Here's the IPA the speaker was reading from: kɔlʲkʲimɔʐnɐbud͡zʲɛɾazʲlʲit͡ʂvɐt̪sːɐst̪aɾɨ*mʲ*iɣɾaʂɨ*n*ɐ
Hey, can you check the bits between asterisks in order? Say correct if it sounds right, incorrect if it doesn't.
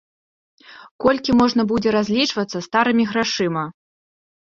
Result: correct, incorrect

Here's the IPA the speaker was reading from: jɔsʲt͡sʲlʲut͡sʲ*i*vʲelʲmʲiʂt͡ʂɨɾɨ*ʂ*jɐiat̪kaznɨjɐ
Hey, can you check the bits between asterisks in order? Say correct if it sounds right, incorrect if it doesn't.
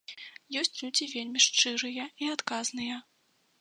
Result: correct, incorrect

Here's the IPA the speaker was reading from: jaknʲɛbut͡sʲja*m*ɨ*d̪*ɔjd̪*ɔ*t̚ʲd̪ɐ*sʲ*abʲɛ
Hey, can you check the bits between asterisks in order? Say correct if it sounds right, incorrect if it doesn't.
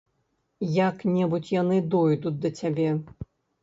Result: incorrect, correct, incorrect, incorrect

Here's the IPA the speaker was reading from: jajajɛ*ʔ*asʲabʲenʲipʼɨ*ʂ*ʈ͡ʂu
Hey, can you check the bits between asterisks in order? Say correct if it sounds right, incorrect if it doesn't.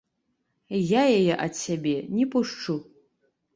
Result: correct, correct

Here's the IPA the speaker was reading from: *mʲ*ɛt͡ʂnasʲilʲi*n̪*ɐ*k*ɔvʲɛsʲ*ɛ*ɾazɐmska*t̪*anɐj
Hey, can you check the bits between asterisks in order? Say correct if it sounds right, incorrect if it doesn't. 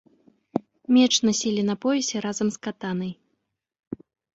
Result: correct, correct, incorrect, correct, correct

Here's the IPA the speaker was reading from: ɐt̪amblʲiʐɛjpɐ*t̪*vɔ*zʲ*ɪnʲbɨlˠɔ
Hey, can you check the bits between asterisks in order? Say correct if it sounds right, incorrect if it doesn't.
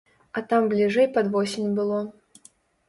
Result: incorrect, incorrect

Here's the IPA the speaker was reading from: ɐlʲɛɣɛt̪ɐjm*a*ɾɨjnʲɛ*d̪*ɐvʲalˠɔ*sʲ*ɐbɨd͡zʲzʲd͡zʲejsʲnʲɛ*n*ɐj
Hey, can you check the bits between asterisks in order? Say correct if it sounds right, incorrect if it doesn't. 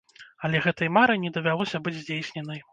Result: correct, correct, correct, correct

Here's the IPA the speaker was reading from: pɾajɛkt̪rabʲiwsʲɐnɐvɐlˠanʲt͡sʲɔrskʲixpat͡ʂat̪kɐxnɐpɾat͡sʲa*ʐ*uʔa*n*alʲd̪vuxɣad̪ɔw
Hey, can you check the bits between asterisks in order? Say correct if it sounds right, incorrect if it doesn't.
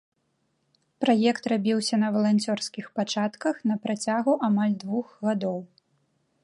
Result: incorrect, incorrect

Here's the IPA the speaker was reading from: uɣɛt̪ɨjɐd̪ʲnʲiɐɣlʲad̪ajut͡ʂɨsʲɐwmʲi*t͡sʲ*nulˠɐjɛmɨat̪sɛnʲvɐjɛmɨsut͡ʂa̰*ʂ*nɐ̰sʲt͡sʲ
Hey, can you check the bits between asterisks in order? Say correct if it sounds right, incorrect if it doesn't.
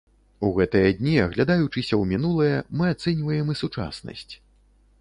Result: incorrect, incorrect

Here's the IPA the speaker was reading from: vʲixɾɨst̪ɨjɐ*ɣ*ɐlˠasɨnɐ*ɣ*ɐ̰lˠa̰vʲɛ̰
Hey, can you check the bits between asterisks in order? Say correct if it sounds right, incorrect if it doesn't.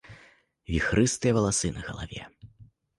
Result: incorrect, correct

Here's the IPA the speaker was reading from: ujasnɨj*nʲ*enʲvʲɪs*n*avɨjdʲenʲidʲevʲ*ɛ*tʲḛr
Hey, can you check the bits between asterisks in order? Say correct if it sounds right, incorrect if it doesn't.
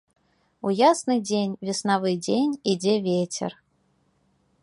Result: incorrect, correct, incorrect

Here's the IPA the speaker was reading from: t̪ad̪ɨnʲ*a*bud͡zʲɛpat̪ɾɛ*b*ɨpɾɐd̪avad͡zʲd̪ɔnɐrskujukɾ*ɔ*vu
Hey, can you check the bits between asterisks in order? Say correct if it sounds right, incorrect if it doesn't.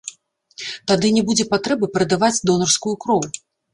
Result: incorrect, correct, correct

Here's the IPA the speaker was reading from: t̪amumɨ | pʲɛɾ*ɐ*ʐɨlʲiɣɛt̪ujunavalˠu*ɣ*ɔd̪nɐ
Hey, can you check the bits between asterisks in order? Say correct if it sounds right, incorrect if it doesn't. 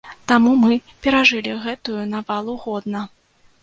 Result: incorrect, correct

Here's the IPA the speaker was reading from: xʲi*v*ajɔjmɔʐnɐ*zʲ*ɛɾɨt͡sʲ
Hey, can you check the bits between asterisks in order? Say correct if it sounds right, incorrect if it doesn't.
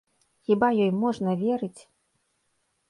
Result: incorrect, incorrect

